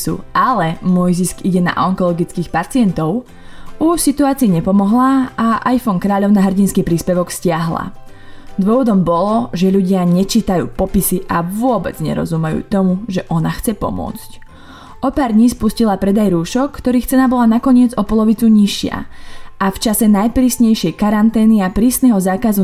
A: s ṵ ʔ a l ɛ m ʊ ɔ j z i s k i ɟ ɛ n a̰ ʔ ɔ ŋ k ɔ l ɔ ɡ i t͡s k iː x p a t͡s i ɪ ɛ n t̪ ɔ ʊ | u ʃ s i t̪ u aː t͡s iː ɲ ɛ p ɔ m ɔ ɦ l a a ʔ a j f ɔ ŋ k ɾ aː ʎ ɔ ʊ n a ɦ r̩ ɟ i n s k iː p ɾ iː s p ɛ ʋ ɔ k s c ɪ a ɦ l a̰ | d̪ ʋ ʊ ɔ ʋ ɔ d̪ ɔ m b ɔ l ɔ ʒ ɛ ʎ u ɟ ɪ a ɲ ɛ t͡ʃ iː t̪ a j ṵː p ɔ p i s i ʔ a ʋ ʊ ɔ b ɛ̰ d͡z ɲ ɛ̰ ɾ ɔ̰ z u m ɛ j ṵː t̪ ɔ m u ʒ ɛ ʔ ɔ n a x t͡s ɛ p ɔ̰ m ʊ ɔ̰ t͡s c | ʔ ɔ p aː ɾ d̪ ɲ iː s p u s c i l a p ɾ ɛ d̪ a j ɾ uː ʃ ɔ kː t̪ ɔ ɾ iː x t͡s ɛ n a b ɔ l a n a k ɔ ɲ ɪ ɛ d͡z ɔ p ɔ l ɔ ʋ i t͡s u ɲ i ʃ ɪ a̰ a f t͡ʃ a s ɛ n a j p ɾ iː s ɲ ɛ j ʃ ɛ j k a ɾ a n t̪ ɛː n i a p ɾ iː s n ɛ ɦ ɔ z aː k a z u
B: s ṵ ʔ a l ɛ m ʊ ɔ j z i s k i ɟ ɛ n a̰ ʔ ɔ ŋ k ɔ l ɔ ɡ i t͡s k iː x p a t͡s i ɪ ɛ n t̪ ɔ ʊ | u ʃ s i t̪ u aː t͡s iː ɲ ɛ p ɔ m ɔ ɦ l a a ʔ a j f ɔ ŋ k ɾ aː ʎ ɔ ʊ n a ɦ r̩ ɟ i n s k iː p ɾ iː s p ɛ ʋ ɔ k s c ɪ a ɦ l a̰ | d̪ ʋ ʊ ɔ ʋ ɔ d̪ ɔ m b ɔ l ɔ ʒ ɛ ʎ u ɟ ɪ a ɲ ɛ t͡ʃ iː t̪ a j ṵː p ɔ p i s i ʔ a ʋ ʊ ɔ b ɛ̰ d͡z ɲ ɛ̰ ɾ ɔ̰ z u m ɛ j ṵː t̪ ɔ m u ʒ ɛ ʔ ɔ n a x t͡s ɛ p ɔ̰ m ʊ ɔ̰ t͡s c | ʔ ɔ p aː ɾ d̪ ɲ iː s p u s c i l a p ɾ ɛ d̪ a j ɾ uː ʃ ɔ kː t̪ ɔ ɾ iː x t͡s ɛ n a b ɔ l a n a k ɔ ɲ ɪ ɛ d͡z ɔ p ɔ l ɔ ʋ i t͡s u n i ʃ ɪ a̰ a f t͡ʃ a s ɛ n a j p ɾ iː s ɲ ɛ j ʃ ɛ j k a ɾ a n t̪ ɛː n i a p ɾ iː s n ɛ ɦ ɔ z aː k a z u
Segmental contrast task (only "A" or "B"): A